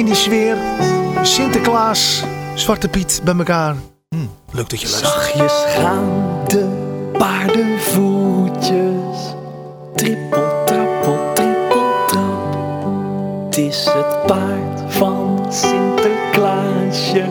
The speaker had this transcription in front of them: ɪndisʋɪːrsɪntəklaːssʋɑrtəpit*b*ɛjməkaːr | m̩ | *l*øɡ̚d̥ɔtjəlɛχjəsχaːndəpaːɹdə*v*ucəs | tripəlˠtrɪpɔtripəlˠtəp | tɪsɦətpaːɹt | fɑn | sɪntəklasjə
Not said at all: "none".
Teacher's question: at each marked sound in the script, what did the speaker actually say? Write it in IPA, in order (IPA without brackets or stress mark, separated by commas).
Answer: b, l, v